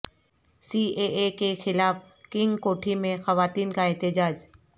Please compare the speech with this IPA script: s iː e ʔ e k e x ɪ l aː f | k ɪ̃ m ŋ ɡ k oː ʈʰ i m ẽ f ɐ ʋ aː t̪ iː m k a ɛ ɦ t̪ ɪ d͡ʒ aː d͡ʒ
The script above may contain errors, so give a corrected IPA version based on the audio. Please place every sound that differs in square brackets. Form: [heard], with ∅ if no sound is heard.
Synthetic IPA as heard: s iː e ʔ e k e x ɪ l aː f | k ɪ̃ [∅] ŋ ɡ k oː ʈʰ i m ẽ [x] ɐ ʋ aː t̪ iː [n] k a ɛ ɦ t̪ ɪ d͡ʒ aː d͡ʒ